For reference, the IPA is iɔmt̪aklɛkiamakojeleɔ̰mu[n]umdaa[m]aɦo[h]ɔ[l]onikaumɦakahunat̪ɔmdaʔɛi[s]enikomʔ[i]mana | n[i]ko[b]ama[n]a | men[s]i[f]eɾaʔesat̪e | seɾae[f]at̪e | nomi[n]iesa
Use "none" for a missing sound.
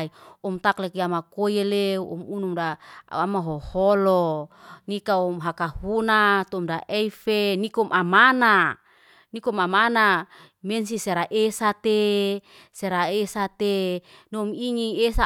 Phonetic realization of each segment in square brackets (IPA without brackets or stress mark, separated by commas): n, m, h, l, f, a, i, m, n, s, s, s, ŋ